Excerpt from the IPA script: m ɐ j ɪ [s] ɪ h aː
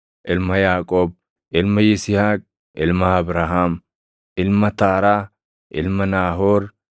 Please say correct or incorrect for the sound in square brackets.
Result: correct